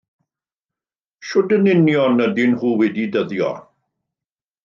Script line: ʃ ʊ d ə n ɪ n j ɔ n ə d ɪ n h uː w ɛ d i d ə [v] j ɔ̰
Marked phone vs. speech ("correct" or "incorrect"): incorrect